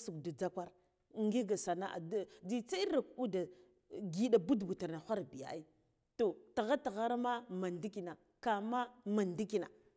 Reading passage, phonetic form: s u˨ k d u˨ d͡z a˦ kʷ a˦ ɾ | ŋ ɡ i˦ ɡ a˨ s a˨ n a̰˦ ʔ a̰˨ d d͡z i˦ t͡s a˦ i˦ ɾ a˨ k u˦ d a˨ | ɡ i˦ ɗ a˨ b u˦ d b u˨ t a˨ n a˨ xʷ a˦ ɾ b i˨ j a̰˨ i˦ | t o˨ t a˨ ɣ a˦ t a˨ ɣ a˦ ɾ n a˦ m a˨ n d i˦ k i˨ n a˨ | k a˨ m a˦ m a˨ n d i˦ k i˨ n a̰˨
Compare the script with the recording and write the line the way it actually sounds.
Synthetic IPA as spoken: s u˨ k d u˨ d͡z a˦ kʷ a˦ ɾ | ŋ ɡ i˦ ɡ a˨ s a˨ n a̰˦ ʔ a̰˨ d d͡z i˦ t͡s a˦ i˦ ɾ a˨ k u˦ d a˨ | ɡ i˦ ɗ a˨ b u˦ d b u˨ t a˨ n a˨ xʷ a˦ ɾ b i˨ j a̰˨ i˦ | t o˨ t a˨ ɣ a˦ t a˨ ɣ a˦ ɾ m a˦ m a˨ n d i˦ k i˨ n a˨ | k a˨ m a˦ m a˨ n d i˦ k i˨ n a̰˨